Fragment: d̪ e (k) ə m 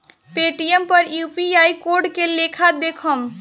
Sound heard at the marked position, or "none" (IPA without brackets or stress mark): kʰ